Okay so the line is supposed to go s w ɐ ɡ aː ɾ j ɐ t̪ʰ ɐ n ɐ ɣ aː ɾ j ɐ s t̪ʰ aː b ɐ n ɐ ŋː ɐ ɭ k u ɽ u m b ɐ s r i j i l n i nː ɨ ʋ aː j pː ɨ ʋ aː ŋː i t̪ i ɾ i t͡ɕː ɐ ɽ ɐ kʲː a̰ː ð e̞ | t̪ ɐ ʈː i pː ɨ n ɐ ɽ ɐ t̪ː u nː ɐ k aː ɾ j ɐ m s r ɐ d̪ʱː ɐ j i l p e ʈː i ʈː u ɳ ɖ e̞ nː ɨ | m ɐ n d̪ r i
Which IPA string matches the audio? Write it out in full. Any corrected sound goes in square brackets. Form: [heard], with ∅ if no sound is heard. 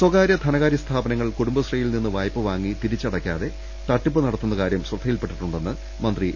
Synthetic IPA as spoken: s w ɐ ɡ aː ɾ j ɐ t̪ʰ ɐ n ɐ ɣ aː ɾ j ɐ s t̪ʰ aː b ɐ n ɐ ŋː ɐ ɭ k u ɽ u m b ɐ s r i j i l n i nː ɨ ʋ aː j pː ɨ ʋ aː ŋː i t̪ i ɾ i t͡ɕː ɐ ɽ ɐ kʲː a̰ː ð e̞ | t̪ ɐ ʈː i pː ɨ n ɐ ɽ ɐ t̪ː u nː ɐ k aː ɾ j ɐ m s r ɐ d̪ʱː ɐ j i l p e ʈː i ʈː u ɳ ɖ e̞ nː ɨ | m ɐ n d̪ r i

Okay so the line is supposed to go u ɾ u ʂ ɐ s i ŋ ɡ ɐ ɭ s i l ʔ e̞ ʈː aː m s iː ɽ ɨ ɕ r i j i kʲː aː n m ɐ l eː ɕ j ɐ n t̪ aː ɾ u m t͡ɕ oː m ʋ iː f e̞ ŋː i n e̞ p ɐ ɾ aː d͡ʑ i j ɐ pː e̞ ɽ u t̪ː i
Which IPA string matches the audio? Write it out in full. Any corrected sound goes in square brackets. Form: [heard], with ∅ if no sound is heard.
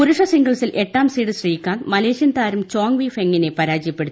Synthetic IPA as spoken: u ɾ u ʂ ɐ s i ŋ ɡ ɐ ɭ s i l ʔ e̞ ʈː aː m s iː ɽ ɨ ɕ r i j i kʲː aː n m ɐ l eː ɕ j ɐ n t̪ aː ɾ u m t͡ɕ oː [ŋ] ʋ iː f e̞ ŋː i n e̞ p ɐ ɾ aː d͡ʑ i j ɐ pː e̞ ɽ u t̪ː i

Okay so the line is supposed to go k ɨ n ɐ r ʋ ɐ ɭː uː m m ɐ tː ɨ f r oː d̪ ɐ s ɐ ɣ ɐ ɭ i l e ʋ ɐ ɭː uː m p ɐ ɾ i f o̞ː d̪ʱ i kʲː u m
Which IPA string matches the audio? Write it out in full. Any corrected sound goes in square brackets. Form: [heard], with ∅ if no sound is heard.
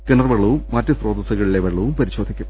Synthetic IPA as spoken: k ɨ n ɐ r ʋ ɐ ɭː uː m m ɐ tː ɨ [s] r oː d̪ ɐ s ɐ ɣ ɐ ɭ i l e ʋ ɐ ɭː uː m p ɐ ɾ i [ɕ] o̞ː d̪ʱ i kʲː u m

